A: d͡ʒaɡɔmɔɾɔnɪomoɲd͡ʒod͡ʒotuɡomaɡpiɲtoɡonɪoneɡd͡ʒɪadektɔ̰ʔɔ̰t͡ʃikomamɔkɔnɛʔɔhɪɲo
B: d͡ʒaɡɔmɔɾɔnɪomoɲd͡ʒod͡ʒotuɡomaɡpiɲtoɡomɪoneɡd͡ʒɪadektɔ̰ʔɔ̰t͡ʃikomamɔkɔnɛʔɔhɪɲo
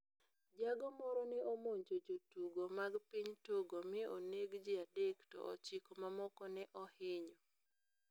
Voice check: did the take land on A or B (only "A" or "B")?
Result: B